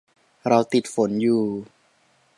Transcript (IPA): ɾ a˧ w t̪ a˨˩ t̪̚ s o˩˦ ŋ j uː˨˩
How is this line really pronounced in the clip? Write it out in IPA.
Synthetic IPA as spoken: ɾ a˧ w t̪ i˨˩ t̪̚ f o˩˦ n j uː˨˩